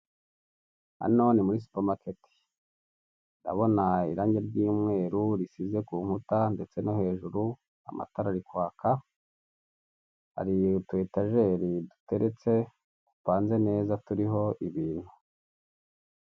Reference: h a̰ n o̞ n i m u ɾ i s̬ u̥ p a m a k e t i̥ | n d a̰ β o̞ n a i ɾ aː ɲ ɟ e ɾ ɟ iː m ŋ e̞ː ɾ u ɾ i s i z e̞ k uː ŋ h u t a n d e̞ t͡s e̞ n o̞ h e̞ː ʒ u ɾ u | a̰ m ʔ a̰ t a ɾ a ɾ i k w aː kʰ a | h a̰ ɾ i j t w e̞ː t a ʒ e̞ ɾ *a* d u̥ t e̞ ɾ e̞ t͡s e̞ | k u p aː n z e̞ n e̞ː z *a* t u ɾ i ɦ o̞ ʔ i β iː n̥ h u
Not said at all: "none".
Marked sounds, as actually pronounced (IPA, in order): i, a

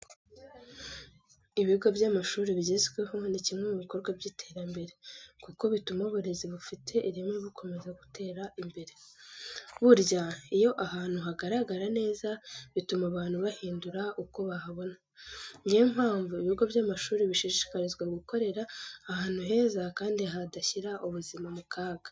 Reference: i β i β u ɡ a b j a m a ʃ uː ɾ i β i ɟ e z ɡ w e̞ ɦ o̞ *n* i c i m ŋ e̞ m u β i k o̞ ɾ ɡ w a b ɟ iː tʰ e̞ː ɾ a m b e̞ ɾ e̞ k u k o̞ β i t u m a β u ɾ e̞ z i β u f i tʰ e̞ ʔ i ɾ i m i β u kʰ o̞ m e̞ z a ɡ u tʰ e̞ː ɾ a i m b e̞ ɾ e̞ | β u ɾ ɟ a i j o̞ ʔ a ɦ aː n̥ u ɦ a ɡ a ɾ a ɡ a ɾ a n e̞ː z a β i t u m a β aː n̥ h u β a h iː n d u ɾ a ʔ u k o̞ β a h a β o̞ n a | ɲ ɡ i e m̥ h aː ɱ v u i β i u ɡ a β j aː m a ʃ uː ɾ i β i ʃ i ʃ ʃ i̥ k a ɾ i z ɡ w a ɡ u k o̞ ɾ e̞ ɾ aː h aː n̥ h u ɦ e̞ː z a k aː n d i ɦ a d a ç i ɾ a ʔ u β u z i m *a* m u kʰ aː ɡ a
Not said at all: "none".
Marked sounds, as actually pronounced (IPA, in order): n, a

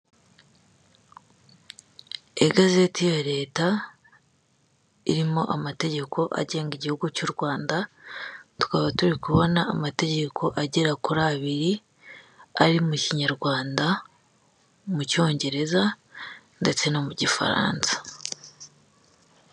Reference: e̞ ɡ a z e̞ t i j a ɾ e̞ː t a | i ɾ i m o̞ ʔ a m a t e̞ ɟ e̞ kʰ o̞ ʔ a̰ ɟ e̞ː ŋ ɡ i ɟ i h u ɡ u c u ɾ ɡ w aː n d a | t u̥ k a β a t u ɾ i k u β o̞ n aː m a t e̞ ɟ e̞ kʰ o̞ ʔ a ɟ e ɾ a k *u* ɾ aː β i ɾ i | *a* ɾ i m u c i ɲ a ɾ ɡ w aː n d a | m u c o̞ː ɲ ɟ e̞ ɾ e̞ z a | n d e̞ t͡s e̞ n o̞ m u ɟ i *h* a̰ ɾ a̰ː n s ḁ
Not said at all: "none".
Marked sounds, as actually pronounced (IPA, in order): u, a, f

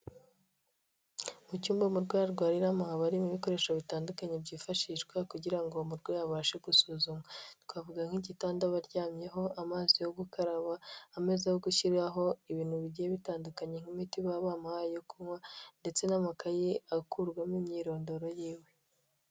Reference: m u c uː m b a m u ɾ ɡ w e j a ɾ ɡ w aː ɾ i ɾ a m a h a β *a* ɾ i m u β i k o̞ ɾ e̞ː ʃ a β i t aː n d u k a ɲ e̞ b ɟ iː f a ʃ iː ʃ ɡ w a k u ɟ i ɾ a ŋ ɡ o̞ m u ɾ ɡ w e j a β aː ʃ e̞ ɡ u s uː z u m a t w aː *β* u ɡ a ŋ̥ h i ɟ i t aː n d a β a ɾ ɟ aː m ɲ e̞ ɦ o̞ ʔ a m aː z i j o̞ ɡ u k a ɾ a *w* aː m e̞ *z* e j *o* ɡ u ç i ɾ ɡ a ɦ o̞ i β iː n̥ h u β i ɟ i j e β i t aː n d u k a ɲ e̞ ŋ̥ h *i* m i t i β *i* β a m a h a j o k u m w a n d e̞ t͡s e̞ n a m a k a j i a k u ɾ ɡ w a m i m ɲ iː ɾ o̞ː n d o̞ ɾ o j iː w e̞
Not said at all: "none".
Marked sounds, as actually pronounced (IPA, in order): a, v, β, z, o, i, a

